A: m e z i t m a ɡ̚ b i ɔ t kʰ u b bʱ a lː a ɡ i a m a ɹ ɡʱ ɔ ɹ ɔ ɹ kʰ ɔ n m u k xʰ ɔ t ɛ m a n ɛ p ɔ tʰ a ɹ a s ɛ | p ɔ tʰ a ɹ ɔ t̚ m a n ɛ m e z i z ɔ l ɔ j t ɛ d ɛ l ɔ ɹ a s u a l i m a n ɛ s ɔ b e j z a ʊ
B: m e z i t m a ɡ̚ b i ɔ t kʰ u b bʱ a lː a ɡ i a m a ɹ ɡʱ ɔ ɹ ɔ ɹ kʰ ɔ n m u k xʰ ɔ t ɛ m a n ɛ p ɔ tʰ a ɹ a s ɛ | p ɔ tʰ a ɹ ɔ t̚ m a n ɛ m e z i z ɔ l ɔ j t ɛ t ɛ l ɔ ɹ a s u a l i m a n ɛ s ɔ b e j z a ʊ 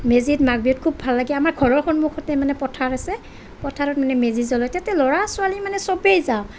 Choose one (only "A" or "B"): B